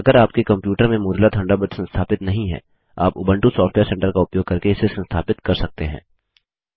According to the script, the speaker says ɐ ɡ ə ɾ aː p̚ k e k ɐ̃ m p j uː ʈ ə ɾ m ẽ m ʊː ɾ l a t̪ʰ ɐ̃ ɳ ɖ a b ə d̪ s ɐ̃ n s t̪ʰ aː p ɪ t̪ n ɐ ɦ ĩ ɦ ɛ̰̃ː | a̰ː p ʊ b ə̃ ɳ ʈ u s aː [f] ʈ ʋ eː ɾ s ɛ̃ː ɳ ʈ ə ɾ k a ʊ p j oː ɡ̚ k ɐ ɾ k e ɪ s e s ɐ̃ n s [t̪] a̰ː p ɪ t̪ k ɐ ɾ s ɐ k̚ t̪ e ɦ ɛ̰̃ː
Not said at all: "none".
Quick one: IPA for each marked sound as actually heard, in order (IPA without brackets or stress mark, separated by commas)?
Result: f, t̪ʰ